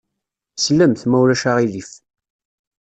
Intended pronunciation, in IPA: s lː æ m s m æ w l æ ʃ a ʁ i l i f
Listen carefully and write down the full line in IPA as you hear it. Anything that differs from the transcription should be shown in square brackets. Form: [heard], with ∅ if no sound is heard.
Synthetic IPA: s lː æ m [θ] m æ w l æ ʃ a ʁ i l i f